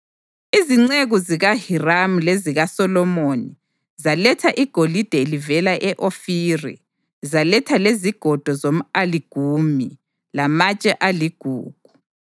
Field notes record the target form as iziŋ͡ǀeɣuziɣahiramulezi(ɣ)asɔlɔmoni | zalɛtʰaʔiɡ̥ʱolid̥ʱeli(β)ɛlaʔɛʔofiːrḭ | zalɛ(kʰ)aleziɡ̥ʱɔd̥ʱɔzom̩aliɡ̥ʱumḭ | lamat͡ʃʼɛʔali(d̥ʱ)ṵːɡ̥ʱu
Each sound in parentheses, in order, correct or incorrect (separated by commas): correct, incorrect, incorrect, incorrect